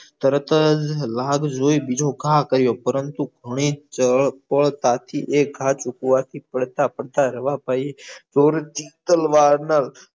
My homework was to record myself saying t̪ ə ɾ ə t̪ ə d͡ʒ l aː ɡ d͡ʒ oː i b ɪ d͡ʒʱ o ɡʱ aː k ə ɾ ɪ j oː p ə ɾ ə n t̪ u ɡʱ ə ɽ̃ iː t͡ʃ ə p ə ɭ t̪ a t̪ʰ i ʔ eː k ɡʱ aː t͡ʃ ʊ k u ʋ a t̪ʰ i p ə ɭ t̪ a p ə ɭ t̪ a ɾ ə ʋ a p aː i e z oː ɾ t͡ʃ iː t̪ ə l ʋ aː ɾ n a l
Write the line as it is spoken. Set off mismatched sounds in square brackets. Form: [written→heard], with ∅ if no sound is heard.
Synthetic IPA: t̪ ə ɾ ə t̪ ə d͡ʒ l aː ɡ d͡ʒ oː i b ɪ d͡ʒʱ o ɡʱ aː k ə ɾ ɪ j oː p ə ɾ ə n t̪ u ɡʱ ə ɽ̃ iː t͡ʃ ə p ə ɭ t̪ a t̪ʰ i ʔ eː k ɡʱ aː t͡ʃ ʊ k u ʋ a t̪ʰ i p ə [ɭ→ɽ] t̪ a p ə [ɭ→ɽ] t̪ a ɾ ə ʋ a p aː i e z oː ɾ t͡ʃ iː t̪ ə l ʋ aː ɾ n a l

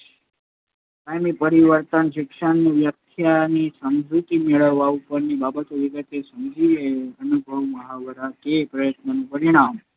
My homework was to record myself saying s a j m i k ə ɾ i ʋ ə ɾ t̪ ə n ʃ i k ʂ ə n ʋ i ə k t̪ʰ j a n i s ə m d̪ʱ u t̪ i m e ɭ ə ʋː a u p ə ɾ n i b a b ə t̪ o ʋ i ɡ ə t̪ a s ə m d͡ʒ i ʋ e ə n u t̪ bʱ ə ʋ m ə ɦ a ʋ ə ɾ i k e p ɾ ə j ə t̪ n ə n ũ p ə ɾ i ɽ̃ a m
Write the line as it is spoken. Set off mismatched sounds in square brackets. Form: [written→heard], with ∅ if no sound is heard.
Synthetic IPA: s a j m i [k→p] ə ɾ i ʋ ə ɾ t̪ ə n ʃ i k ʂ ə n ʋ [i→j] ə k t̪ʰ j a n i s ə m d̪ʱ u t̪ i m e ɭ ə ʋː a u p ə ɾ n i b a b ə t̪ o ʋ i ɡ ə t̪ [a→e] s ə m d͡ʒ i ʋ e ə n u [t̪→∅] bʱ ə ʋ m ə ɦ a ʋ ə ɾ [i→a] k e p ɾ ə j ə t̪ n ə n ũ p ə ɾ i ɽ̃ a m

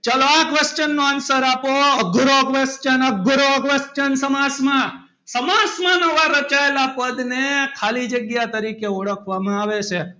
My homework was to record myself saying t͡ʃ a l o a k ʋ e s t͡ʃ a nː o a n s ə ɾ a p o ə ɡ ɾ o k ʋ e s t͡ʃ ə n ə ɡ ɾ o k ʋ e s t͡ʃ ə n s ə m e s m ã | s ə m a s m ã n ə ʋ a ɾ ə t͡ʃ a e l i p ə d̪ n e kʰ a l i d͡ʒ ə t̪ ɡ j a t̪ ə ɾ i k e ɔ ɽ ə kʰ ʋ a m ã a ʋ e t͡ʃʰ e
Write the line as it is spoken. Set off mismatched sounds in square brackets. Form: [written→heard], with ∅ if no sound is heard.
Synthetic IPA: t͡ʃ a l o a k ʋ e s t͡ʃ [a→ə] nː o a n s ə ɾ a p o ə ɡ ɾ o k ʋ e s t͡ʃ ə n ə ɡ ɾ o k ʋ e s t͡ʃ ə n s ə m [e→a] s m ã | s ə m a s m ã n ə ʋ a ɾ ə t͡ʃ a e l [i→a] p ə d̪ n e kʰ a l i d͡ʒ ə [t̪→∅] ɡ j a t̪ ə ɾ i k e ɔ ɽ ə kʰ ʋ a m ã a ʋ e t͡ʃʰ e

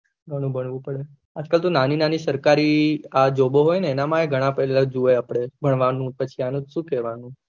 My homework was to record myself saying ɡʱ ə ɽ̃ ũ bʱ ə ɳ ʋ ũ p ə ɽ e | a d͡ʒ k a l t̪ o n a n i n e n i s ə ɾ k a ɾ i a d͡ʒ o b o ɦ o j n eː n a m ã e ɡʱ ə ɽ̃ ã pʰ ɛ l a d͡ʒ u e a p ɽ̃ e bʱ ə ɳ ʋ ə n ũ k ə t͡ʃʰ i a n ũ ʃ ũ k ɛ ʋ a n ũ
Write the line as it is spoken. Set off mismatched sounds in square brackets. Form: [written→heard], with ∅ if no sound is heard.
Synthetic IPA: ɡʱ ə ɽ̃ ũ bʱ ə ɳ ʋ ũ p ə ɽ e | a d͡ʒ k a l t̪ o n a n i n [e→a] n i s ə ɾ k a ɾ i a d͡ʒ o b o ɦ o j n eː n a m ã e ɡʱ ə ɽ̃ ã [pʰ→p] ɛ l a d͡ʒ u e a p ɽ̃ e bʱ ə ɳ ʋ [ə→a] n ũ [k→p] ə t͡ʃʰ i a n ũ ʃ ũ k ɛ ʋ a n ũ

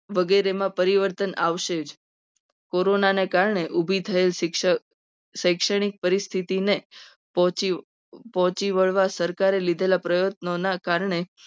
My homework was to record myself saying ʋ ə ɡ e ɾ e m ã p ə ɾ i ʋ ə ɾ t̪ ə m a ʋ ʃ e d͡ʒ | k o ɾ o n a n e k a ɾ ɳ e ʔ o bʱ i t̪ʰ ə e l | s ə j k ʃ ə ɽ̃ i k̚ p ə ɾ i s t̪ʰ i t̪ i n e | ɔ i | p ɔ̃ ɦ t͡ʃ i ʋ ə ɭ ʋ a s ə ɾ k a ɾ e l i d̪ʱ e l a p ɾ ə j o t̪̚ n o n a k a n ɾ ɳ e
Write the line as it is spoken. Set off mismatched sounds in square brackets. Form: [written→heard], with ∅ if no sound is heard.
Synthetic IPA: ʋ ə ɡ e ɾ e m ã p ə ɾ i ʋ ə ɾ t̪ ə [m→n] a ʋ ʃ e d͡ʒ | k o ɾ o n a n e k a ɾ ɳ e ʔ [o→u] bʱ i t̪ʰ ə e l | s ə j k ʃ ə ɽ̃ i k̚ p ə ɾ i s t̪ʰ i t̪ i n e | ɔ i | p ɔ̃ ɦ t͡ʃ i ʋ ə ɭ ʋ a s ə ɾ k a ɾ e l i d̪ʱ e l a p ɾ ə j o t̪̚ n o n a k a [n→∅] ɾ ɳ e

